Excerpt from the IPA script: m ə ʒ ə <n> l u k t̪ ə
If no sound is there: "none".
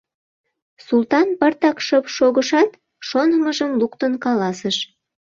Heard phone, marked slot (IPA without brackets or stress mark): m